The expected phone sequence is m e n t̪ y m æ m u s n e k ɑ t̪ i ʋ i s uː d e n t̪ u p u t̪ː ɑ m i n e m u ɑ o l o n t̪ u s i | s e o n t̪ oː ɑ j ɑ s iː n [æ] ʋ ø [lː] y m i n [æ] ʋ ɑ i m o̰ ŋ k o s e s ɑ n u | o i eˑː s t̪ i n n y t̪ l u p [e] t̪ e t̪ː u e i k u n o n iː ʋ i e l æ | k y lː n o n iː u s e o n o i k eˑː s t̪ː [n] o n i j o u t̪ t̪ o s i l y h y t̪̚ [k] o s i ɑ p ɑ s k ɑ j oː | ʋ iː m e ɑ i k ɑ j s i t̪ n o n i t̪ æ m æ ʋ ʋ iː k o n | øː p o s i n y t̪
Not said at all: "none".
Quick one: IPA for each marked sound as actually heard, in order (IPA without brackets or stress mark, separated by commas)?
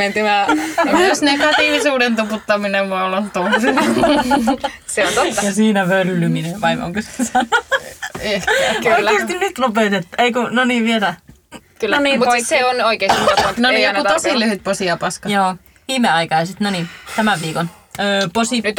æ, lː, e, e, n, p